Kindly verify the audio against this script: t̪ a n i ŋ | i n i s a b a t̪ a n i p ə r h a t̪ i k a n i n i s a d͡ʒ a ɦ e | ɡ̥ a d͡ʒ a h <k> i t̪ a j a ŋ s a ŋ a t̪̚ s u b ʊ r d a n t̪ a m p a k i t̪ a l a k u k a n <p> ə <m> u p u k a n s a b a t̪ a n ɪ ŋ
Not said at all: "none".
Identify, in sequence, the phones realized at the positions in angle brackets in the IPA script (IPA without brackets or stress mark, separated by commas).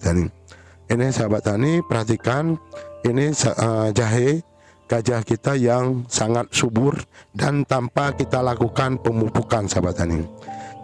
k, p, m